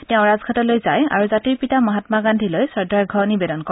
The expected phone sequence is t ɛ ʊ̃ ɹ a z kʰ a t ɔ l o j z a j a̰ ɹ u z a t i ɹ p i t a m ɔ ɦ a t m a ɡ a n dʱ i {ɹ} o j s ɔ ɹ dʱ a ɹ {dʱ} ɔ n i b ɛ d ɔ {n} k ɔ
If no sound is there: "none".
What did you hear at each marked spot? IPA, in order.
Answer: l, ɡʱ, n

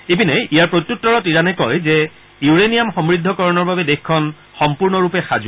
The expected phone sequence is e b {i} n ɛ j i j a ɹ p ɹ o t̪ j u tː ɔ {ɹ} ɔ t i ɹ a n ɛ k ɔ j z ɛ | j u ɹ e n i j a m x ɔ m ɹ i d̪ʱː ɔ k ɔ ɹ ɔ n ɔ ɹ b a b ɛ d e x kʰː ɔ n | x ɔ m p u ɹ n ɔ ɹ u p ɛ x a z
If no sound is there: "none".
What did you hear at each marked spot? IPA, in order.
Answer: i, ɹ

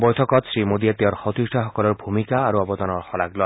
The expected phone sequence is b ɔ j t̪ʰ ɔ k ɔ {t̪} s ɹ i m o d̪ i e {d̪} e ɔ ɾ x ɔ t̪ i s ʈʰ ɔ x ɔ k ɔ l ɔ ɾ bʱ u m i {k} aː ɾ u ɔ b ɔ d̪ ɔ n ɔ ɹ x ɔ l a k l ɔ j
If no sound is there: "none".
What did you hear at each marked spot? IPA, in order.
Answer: t̪, t̪, k

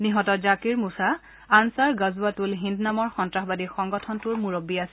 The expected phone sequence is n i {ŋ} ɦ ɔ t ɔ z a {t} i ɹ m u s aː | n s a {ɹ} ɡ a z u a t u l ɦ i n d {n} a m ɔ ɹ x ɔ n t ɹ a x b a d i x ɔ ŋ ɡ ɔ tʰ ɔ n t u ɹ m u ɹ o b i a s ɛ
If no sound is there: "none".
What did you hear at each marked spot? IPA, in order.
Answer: none, k, ɹ, n

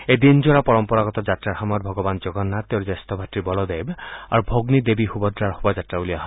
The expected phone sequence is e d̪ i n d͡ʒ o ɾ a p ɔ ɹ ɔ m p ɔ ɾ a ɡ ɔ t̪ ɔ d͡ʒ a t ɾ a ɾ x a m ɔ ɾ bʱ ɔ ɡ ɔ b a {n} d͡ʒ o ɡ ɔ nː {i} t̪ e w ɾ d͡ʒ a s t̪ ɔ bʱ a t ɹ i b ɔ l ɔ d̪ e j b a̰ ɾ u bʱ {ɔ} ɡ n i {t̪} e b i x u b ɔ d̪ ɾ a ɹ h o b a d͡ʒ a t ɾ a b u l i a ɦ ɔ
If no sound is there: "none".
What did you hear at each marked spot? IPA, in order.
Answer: n, a, o, d̪

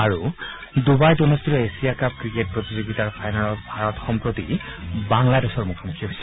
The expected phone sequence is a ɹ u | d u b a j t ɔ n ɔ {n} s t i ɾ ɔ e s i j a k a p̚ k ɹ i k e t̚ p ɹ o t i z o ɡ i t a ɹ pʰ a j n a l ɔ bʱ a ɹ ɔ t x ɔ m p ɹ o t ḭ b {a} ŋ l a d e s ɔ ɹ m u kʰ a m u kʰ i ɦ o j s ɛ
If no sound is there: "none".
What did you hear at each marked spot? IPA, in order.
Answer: none, a

